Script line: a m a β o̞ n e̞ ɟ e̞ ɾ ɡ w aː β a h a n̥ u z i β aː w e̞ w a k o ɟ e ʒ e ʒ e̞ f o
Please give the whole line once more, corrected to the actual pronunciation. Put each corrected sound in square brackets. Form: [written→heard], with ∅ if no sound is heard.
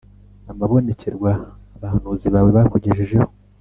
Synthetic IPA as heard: a m a β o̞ n e̞ [ɟ→c] e̞ ɾ ɡ w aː β a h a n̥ u z i β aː w e̞ [w→β] a k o ɟ e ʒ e ʒ e̞ [f→h] o